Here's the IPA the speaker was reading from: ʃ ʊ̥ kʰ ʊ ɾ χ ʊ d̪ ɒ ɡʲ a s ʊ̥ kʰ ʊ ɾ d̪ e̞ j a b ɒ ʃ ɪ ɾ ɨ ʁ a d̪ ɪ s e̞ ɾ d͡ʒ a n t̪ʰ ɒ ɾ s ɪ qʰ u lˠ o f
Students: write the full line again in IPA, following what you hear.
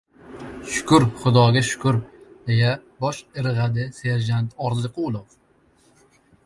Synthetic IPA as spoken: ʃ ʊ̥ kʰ ʊ ɾ χ ʊ d̪ ɒ ɡʲ a ʃ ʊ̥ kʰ ʊ ɾ d̪ e̞ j a b ɒ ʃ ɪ ɾ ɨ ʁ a d̪ ɪ s e̞ ɾ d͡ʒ a n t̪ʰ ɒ ɾ z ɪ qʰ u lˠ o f